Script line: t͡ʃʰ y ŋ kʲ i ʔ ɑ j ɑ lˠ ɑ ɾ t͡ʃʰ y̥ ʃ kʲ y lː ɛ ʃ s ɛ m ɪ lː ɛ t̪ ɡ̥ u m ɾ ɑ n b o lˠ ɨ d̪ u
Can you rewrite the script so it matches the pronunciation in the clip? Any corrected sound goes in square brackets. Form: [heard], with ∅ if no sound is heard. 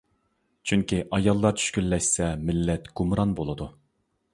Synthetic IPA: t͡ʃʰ y ŋ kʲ i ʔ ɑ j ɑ [lˠː] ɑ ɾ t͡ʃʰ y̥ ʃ kʲ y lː ɛ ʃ s ɛ m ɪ lː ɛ t̪ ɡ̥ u m ɾ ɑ n b o lˠ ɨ d̪ u